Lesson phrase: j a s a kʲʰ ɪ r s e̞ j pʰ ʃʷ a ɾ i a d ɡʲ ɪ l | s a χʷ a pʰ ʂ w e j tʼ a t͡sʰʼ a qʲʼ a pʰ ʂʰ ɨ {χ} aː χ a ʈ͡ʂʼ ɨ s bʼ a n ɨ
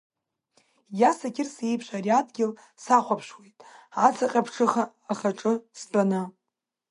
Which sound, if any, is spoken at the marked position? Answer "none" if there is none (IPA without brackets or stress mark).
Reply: χ